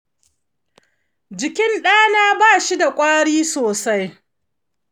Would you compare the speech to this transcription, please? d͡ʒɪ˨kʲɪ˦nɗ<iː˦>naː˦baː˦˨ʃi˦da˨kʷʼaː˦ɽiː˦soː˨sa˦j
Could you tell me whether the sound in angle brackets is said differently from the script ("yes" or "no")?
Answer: yes